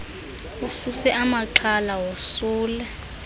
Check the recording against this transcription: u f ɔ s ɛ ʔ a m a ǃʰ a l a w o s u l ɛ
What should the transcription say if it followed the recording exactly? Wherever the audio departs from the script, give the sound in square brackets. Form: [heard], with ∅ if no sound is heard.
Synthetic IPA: u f [u] s ɛ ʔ a m a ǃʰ a l a w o s [uː] l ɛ

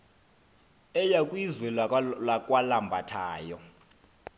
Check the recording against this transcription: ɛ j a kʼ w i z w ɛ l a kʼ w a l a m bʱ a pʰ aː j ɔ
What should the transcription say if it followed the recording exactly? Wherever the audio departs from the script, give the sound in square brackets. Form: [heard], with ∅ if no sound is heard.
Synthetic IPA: ɛ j a kʼ w i z w ɛ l a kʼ w a l a m bʱ a [tʰ] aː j ɔ

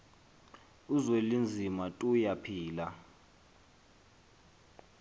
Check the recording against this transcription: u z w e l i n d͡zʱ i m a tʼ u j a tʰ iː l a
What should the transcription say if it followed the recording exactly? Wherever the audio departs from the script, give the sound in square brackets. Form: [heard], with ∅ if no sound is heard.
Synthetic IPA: u z w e l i n d͡zʱ i m a tʼ u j a [pʰ] iː l a

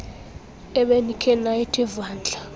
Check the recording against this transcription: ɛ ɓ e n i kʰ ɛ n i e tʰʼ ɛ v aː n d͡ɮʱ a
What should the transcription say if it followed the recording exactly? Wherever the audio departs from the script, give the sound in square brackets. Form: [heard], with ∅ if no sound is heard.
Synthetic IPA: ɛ ɓ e n i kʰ ɛ n [a] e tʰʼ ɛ v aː n d͡ɮʱ a

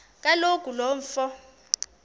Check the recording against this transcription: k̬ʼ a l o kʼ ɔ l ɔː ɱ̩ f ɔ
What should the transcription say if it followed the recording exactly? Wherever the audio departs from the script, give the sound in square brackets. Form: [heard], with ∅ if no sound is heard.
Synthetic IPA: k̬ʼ a l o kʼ [u] l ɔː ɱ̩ f ɔ

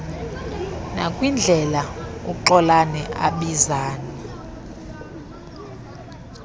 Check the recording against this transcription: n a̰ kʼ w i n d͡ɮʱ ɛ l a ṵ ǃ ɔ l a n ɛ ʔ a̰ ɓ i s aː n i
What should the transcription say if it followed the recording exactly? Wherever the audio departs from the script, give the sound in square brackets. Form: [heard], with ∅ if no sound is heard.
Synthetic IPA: n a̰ kʼ w i n d͡ɮʱ ɛ l a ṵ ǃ ɔ l a n ɛ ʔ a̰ ɓ i [z] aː n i

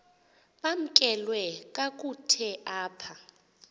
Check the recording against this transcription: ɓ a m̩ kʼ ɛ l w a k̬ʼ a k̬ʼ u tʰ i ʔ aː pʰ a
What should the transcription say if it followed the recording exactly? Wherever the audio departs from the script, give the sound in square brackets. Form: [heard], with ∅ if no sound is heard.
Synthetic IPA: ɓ a m̩ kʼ ɛ l w [ɛ] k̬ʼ a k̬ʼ u tʰ [ɛ] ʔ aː pʰ a

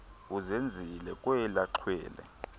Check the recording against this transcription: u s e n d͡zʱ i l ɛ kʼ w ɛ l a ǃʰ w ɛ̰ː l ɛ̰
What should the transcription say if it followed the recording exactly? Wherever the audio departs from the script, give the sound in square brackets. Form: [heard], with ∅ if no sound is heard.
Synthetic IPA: u [z] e n d͡zʱ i l ɛ kʼ w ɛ l a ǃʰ w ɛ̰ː l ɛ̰

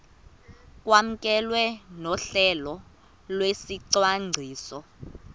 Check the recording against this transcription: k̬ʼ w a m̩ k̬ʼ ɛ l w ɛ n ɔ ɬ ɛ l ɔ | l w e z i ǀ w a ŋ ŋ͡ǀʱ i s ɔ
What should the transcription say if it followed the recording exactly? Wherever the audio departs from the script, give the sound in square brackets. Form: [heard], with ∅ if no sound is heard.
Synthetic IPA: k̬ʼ w a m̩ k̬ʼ ɛ l w ɛ n ɔ ɬ ɛ l ɔ | l w e [s] i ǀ w a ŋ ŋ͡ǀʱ [iː] s ɔ

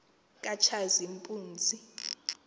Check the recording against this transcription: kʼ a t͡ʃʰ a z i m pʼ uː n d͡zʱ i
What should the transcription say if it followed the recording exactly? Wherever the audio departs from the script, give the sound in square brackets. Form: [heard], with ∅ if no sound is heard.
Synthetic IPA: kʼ a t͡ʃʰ a z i m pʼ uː n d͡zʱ i

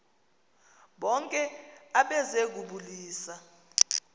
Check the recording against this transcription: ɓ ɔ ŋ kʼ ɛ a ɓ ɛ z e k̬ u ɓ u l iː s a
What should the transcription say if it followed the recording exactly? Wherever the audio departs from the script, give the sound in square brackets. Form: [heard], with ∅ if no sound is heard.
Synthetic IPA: ɓ ɔ ŋ kʼ ɛ a ɓ ɛ z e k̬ u ɓ u l iː s a

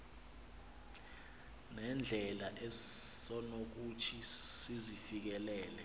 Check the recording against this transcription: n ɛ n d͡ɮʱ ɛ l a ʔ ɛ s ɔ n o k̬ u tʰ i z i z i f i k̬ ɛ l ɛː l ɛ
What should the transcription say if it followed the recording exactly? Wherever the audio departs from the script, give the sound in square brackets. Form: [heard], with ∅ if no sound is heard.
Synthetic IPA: n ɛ n d͡ɮʱ ɛ l a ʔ ɛ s ɔ n o k̬ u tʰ i [s] i z i f i k̬ ɛ l ɛː l ɛ

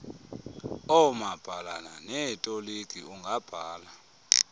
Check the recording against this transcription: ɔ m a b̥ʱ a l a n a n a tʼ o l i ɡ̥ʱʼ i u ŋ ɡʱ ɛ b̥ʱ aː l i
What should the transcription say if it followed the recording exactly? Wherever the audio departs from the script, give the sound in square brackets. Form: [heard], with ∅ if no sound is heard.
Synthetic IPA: ɔ m a b̥ʱ a l a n a n [ɛ] tʼ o l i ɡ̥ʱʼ i u ŋ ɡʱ [a] b̥ʱ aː l [a]

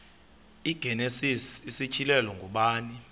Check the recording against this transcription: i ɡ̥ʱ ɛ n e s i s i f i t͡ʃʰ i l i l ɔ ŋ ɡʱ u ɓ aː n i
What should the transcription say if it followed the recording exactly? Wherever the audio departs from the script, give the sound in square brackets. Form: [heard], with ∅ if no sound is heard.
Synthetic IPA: i ɡ̥ʱ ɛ n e s i s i [s] i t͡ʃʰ i l [ɛ] l ɔ ŋ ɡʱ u ɓ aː n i

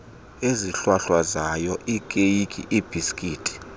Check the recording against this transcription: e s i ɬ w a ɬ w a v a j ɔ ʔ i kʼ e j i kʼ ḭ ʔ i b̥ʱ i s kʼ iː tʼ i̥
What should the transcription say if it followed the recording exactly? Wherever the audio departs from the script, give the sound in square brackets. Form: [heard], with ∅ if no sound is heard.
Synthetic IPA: e [z] i ɬ w a ɬ w a [z] a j ɔ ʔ i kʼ e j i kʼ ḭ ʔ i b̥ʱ i s kʼ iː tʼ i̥

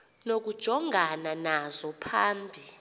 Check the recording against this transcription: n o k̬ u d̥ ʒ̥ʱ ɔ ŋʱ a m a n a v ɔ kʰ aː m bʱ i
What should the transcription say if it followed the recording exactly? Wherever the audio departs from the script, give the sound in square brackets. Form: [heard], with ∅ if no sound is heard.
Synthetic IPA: n o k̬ u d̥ ʒ̥ʱ ɔ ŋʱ a [n] a n a [z] ɔ [pʰ] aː m bʱ i

